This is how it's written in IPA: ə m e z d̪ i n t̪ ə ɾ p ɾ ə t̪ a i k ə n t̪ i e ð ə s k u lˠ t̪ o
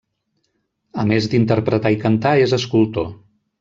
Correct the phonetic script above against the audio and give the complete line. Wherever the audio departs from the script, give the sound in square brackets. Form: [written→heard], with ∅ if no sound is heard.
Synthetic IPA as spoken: ə m e z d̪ i n t̪ ə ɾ p ɾ ə t̪ a i k ə n t̪ [i→a] e [ð→z] ə s k u lˠ t̪ o